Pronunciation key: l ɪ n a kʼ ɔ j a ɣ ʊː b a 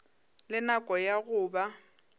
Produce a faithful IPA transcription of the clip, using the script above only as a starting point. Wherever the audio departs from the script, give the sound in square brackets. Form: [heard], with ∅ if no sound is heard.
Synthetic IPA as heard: l ɪ n a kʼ ɔ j a ɣ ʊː b a